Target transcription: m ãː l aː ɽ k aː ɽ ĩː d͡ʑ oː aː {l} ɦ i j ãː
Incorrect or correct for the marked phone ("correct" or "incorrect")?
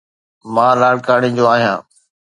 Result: incorrect